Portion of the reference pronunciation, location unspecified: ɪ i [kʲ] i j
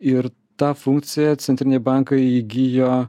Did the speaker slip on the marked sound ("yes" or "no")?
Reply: yes